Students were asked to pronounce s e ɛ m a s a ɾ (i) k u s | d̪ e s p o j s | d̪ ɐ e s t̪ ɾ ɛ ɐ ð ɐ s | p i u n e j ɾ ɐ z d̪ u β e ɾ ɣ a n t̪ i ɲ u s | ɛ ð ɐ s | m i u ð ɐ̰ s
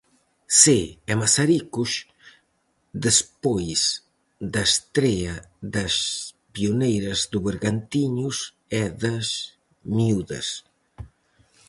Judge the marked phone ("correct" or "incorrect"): correct